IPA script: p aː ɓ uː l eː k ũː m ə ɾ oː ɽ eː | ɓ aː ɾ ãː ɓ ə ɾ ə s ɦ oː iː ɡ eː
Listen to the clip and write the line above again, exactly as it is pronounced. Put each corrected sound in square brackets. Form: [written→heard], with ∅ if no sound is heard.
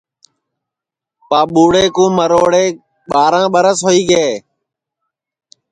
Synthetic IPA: p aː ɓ uː [l→ɽ] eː k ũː m ə ɾ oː ɽ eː | ɓ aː ɾ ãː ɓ ə ɾ ə s ɦ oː iː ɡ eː